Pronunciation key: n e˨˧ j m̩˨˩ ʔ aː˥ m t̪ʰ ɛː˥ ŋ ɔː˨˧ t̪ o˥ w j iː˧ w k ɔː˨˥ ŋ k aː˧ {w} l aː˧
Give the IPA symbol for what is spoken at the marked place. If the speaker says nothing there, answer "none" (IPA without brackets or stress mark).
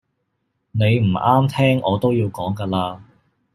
none